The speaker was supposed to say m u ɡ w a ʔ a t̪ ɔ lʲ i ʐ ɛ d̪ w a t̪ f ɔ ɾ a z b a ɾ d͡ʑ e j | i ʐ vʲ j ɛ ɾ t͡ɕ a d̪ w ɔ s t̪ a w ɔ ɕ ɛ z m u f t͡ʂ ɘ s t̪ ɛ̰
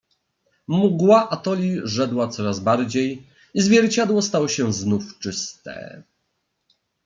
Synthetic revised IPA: m u ɡ w a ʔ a t̪ ɔ lʲ i ʐ ɛ d̪ w a t̪ s ɔ ɾ a z b a ɾ d͡ʑ e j | i z vʲ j ɛ ɾ t͡ɕ a d̪ w ɔ s t̪ a w ɔ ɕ ɛ z n u f t͡ʂ ɘ s t̪ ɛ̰